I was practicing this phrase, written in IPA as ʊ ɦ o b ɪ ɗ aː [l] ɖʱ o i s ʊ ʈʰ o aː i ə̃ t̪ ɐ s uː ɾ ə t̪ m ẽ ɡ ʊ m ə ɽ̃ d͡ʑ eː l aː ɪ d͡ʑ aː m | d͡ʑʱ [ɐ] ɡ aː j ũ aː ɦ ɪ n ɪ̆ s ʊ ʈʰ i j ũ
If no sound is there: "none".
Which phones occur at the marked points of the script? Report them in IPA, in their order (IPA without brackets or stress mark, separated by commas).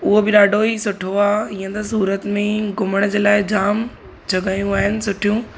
none, ɐ